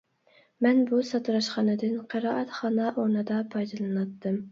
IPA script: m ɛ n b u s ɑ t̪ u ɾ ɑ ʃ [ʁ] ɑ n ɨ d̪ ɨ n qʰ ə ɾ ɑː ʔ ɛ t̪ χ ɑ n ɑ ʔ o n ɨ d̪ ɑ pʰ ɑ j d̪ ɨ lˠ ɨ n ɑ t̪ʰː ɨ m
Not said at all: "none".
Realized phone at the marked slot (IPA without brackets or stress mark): χ